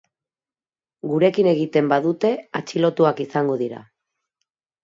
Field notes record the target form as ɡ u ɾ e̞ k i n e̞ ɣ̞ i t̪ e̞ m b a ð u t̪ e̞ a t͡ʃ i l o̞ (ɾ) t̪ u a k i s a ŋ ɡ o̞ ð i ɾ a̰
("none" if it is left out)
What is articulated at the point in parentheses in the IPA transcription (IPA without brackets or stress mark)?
none